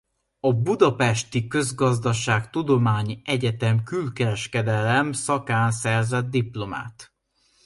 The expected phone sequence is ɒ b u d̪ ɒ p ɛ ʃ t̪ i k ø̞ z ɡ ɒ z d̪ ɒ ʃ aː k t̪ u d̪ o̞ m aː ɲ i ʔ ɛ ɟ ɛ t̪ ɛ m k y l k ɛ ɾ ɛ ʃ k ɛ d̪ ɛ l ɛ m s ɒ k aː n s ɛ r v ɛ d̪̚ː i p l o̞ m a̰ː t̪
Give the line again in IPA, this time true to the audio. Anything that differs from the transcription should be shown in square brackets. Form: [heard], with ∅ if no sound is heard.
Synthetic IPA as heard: ɒ b u d̪ ɒ p ɛ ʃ t̪ i k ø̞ z ɡ ɒ z d̪ ɒ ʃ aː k t̪ u d̪ o̞ m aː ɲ i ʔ ɛ ɟ ɛ t̪ ɛ m k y l k ɛ ɾ ɛ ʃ k ɛ d̪ ɛ l ɛ m s ɒ k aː n s ɛ r [z] ɛ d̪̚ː i p l o̞ m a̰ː t̪